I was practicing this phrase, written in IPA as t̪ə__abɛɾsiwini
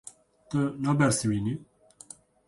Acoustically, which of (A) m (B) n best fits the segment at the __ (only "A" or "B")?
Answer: B